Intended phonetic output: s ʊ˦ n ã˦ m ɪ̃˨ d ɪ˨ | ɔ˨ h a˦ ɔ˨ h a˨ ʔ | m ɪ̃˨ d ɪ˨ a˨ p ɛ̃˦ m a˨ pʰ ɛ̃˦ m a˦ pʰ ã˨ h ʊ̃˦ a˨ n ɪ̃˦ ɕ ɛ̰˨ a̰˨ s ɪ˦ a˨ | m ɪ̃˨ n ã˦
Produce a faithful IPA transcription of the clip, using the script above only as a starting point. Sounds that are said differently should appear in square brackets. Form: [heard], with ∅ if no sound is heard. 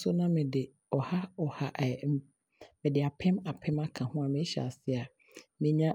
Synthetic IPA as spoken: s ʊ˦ n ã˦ m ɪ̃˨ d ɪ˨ | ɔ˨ h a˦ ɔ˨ h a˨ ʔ | m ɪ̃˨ d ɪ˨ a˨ [pʰ] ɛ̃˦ m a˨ pʰ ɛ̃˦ m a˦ [kʰ] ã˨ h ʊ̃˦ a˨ [m] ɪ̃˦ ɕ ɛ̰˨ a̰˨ s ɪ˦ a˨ | m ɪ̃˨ [ɲ] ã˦